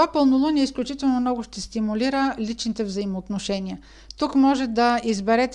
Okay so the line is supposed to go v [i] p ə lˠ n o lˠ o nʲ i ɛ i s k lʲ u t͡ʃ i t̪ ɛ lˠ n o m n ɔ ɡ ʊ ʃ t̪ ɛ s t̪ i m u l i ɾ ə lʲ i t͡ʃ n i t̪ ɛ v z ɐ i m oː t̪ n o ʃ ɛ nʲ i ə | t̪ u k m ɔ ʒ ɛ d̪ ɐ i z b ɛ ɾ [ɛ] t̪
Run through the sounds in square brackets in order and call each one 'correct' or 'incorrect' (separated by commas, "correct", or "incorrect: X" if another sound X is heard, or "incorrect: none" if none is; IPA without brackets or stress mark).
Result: incorrect: a, correct